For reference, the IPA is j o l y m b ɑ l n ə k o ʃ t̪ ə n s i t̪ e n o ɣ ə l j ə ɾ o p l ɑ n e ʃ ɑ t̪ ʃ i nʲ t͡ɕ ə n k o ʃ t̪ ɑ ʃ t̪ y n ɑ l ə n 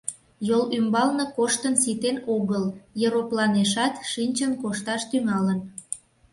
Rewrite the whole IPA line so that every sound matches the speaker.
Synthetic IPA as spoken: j o l y m b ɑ l n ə k o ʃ t̪ ə n s i t̪ e n o ɣ ə l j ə ɾ o p l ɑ n e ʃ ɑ t̪ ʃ i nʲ t͡ɕ ə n k o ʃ t̪ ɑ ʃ t̪ y ŋ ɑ l ə n